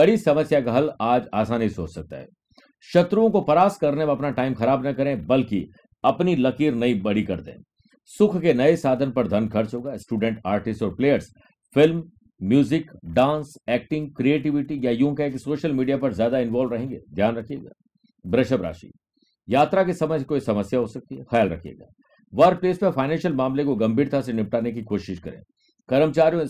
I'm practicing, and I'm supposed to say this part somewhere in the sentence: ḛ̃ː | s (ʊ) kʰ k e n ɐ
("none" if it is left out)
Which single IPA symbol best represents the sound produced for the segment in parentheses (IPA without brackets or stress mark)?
ʊ